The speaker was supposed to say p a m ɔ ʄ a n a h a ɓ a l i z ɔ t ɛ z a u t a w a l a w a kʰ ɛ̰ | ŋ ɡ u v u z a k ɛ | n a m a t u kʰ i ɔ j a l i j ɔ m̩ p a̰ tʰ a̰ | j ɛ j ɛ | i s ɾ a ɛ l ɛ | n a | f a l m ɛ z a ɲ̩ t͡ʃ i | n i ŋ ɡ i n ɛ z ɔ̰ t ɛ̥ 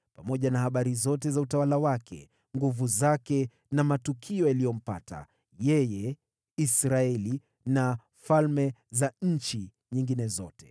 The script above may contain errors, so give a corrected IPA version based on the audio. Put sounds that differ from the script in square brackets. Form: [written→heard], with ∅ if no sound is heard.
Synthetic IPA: p a m ɔ ʄ a n a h a ɓ a [l→ɾ] i z ɔ t ɛ z a u t a w a l a w a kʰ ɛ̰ | ŋ ɡ u v u z a k ɛ | n a m a t u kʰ i ɔ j a l i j ɔ m̩ p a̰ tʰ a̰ | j ɛ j ɛ | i s ɾ a ɛ l [ɛ→i] | n a | f a l m ɛ z a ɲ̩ t͡ʃ i | [n→ɲ] i ŋ ɡ i n ɛ z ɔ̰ t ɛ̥